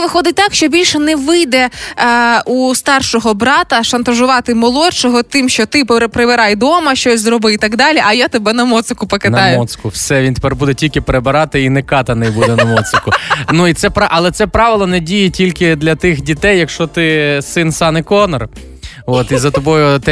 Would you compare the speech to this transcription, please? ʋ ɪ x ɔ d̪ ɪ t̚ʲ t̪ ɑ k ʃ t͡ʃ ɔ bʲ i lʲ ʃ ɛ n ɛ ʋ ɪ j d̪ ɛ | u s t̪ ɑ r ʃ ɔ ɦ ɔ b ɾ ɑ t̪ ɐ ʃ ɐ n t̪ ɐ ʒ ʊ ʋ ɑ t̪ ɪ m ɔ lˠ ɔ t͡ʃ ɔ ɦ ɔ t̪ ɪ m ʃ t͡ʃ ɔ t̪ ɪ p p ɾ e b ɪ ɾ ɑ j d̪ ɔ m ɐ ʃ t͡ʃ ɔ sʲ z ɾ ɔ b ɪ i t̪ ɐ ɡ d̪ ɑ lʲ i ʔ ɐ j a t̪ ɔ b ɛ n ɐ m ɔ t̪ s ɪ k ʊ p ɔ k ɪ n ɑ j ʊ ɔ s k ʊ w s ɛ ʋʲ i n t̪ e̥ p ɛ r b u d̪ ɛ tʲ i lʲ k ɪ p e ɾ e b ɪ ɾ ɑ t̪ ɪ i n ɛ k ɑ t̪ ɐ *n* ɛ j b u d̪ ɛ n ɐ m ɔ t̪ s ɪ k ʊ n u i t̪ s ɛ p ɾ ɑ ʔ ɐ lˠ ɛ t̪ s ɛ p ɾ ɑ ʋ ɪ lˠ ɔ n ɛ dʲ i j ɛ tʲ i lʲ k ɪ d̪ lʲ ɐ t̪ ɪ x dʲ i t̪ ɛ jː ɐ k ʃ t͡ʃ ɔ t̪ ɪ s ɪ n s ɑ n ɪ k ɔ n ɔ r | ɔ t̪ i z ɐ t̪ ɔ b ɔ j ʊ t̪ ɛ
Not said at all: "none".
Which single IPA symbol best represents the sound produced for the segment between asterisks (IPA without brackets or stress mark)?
n